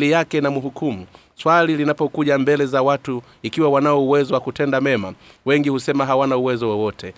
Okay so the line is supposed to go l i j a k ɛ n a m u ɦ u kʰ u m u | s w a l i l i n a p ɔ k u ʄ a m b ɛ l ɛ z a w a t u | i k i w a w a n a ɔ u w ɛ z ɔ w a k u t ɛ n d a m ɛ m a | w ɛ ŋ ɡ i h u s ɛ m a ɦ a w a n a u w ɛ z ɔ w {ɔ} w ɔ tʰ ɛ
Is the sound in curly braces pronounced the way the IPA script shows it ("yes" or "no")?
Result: yes